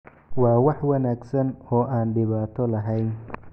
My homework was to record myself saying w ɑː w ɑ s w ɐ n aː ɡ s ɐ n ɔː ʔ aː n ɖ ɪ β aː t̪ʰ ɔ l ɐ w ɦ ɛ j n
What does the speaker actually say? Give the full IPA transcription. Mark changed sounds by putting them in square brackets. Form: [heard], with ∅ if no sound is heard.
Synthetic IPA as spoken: w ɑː w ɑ [ħ] w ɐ n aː ɡ s ɐ n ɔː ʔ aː n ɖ ɪ β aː t̪ʰ ɔ l ɐ [∅] ɦ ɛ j n